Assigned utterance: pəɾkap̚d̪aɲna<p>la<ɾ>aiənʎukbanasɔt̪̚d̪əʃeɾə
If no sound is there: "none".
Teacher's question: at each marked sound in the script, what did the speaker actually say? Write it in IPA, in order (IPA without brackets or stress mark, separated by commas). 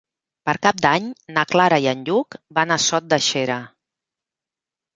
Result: k, ɾ